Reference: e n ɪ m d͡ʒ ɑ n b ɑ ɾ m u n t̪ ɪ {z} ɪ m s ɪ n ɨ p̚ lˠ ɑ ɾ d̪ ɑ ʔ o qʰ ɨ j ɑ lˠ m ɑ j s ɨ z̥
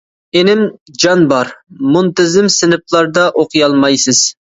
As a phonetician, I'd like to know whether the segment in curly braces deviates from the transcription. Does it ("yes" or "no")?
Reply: no